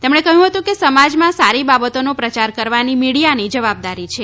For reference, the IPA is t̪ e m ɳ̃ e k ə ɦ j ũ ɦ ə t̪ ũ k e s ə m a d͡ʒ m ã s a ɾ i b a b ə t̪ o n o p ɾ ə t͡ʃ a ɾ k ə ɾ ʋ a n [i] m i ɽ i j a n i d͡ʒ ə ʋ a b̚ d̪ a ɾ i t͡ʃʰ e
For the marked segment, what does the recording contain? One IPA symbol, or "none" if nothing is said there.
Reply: i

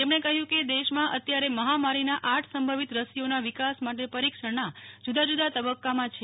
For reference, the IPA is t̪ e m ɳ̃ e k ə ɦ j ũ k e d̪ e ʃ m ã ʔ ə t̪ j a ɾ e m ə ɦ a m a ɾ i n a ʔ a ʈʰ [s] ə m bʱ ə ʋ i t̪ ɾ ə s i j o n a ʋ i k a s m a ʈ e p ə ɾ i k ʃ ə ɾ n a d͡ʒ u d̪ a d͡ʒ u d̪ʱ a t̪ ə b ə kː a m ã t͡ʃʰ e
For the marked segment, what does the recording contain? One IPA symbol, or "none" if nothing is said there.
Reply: s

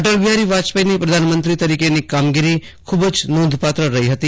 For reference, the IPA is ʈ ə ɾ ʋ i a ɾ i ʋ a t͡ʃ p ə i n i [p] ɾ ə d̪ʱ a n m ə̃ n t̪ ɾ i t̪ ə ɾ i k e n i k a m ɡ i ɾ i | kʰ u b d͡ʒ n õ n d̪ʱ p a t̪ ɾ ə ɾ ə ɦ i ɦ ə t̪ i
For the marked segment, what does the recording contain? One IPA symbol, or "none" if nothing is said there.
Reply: p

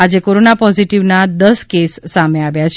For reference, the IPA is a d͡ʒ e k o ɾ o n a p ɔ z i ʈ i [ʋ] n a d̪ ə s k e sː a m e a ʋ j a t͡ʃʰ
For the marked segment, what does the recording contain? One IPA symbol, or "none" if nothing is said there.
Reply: ʋ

